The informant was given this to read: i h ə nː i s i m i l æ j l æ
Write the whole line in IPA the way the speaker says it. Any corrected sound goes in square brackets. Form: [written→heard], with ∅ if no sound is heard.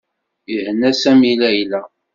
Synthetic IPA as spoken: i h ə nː [i→æ] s [i→æ] m i l æ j l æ